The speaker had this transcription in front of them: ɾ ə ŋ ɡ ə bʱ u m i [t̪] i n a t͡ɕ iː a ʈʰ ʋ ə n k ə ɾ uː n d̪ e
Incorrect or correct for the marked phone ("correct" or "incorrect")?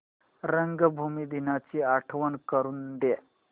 incorrect